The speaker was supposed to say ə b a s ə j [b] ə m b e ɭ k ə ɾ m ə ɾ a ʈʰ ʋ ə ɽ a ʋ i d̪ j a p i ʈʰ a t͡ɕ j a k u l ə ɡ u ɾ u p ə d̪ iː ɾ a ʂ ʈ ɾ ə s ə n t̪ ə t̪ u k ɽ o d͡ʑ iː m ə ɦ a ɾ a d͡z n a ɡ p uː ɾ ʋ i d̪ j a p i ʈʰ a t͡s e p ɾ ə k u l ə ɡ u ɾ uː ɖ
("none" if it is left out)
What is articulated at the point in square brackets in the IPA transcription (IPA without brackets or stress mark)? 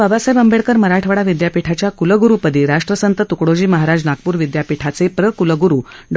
b